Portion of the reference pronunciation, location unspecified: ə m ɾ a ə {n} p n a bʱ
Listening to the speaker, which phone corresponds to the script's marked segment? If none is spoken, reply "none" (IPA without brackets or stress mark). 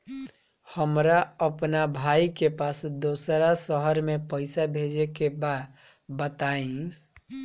none